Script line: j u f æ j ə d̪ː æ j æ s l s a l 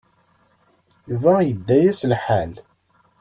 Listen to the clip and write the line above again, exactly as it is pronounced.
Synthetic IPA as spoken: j u v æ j ə d̪ː æ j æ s l ħ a l